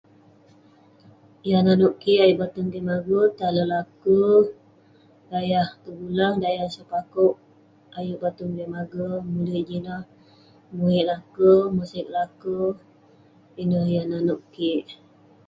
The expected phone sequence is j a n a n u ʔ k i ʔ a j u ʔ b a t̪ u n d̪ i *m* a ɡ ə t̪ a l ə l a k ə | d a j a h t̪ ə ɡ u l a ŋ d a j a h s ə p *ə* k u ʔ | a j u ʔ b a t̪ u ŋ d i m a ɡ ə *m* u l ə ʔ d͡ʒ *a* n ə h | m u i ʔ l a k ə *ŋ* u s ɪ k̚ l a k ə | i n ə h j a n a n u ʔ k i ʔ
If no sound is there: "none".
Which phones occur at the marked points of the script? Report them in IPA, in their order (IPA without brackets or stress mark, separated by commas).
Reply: m, a, m, i, m